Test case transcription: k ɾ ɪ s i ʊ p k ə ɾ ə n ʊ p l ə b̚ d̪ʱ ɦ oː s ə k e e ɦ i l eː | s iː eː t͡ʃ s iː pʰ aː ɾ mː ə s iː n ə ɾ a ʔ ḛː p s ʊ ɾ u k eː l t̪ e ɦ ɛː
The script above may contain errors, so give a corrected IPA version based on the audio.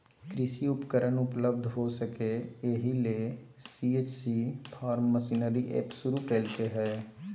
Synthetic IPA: k ɾ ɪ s i ʊ p k ə ɾ ə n ʊ p l ə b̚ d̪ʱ ɦ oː s ə k e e ɦ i l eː | s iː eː t͡ʃ s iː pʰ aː ɾ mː ə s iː n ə ɾ i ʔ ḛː p s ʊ ɾ u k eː l t̪ e ɦ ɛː